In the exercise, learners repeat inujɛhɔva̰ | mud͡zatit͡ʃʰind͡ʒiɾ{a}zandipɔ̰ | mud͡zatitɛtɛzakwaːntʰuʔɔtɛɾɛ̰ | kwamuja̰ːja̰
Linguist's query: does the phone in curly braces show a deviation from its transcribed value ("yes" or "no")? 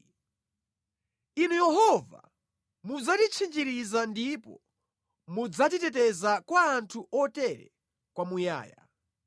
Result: yes